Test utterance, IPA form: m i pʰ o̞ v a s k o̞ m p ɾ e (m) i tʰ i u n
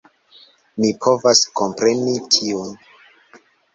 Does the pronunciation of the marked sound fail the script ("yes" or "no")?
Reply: yes